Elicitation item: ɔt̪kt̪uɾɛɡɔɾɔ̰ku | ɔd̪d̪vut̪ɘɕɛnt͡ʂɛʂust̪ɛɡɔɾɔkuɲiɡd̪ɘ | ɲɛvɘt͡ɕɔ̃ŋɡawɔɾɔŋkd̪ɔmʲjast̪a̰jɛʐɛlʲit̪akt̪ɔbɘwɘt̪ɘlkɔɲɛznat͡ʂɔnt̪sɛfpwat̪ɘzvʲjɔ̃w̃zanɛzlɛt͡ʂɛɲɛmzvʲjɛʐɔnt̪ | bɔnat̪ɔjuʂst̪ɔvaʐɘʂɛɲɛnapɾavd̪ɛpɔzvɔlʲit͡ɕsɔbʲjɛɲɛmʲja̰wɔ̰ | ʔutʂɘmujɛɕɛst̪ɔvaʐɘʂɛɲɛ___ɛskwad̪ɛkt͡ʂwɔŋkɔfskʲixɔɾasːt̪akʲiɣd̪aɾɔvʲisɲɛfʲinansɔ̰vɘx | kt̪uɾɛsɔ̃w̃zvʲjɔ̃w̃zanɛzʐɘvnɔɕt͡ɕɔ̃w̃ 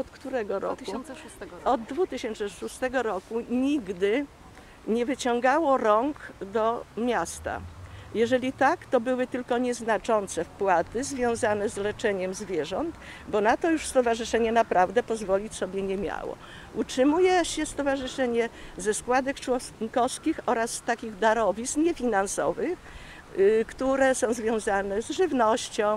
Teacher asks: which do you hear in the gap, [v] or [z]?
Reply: z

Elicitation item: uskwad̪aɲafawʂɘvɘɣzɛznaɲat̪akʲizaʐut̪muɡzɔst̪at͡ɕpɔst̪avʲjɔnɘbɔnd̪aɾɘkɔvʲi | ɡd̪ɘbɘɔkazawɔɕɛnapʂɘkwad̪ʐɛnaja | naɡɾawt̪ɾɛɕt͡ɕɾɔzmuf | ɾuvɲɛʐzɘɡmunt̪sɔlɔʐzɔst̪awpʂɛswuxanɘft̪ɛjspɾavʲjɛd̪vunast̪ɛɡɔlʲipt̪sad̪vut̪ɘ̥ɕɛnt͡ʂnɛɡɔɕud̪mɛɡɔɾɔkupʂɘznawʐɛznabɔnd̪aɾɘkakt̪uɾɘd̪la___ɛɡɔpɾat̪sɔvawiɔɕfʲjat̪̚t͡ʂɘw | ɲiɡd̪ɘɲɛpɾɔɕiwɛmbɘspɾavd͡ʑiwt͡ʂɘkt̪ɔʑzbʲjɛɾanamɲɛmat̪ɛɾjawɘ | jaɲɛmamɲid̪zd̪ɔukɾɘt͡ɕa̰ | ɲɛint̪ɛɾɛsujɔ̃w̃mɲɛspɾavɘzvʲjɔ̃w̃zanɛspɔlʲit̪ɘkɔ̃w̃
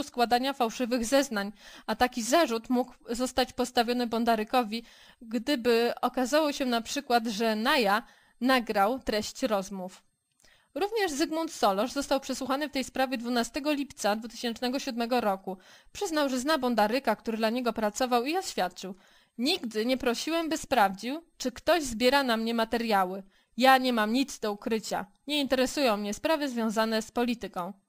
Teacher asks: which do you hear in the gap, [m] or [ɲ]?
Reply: ɲ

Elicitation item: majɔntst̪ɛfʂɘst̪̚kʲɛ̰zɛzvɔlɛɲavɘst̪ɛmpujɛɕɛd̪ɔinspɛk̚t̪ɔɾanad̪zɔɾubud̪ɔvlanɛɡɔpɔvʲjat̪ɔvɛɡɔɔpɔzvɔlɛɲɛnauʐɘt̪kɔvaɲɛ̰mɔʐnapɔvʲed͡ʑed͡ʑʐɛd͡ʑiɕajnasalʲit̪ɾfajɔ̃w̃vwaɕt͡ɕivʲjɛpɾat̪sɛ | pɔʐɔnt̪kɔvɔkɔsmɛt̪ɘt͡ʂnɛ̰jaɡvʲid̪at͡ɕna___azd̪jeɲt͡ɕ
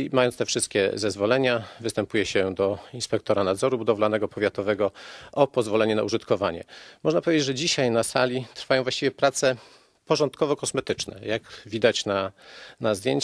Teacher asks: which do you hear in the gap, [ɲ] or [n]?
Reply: n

